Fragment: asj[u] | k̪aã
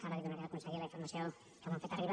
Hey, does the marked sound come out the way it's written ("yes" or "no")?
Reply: no